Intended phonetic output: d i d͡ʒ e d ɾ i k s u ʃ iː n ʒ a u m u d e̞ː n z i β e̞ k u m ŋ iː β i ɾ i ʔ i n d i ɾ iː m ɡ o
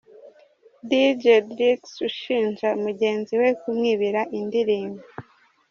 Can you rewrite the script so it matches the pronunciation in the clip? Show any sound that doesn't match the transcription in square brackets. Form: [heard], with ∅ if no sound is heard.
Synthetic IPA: d i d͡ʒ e d ɾ i k s u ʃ iː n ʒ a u m u [ɟ] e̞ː n z i [w] e̞ k u m ŋ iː β i ɾ [a] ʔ i n d i ɾ iː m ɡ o